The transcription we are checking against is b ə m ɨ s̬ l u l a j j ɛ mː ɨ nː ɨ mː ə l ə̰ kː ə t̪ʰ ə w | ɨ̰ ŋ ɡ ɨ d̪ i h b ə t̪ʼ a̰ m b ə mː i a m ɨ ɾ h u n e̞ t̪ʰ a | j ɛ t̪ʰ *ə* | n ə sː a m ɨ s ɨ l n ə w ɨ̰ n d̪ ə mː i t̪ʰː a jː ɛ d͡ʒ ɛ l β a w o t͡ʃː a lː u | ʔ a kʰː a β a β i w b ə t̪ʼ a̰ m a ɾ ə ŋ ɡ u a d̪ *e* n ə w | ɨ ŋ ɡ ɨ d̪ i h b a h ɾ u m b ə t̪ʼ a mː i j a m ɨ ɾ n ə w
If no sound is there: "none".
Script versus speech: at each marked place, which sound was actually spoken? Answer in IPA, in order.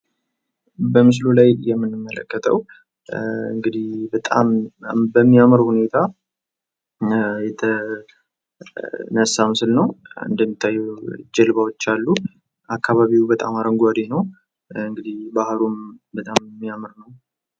ə, e

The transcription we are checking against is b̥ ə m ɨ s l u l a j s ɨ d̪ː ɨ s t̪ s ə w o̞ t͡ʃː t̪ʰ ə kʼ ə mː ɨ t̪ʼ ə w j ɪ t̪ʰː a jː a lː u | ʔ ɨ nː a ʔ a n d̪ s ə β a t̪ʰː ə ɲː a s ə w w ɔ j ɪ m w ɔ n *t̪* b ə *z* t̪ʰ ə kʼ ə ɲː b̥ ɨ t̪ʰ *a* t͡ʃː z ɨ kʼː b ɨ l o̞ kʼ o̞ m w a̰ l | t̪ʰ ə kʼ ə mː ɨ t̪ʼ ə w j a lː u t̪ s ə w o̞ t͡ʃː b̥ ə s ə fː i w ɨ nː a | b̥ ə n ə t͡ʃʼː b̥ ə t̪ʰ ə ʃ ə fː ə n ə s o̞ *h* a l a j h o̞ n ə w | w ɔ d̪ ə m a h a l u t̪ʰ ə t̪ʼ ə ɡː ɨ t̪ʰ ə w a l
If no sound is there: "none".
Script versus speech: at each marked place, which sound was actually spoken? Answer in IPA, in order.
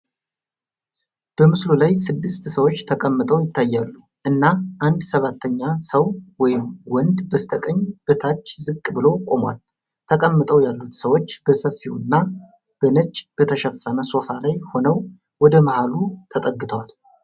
d̪, s, a, f

